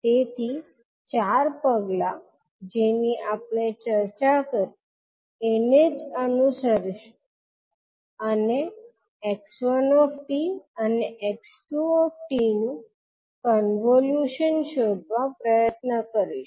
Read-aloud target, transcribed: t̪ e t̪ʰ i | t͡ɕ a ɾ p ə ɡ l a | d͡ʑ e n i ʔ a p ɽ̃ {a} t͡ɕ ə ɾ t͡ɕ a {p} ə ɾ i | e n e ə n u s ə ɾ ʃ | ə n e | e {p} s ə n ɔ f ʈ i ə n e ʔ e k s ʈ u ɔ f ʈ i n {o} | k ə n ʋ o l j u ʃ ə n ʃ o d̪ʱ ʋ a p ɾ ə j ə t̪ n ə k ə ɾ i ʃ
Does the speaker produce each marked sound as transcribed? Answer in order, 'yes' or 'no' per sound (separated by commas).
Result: no, no, no, no